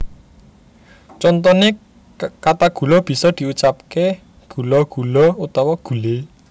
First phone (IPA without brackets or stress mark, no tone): t͡ʃ